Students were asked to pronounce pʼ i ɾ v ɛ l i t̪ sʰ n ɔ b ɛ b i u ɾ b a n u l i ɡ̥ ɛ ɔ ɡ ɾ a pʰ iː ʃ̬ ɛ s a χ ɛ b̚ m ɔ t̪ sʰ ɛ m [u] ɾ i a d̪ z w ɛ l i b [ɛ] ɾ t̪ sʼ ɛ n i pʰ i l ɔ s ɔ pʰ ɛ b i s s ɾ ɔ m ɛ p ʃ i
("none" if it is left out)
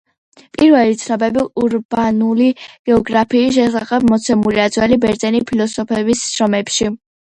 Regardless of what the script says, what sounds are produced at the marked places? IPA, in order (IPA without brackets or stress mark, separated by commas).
u, ɛ